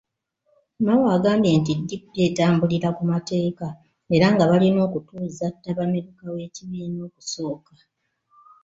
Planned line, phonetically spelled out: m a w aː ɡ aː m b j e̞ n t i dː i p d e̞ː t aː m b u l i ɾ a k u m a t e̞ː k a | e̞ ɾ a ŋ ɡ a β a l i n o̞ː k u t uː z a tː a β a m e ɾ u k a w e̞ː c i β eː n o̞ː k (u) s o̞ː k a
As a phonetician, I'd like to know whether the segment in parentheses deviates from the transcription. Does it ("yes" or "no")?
no